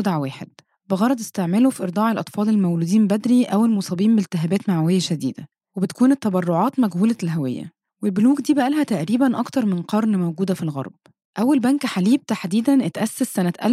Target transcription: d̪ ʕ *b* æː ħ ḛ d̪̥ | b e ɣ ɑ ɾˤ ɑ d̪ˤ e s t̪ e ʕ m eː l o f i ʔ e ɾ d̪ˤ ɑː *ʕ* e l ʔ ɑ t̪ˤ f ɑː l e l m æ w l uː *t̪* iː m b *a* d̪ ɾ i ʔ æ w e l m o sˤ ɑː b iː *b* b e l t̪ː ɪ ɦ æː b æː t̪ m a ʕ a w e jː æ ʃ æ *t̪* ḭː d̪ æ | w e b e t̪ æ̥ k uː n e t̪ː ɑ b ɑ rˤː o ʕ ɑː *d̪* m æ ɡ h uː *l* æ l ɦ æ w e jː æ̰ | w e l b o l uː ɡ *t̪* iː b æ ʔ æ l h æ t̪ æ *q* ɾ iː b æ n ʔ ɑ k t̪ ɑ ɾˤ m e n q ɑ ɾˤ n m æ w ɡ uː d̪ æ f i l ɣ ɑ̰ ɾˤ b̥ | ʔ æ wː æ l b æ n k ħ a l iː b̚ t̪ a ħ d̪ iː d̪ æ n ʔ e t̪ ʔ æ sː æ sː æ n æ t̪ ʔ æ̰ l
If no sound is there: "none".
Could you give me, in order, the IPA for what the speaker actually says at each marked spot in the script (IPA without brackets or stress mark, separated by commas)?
w, ʕ, d̪, æ, m, d̪, t̪, l, d̪, ʔ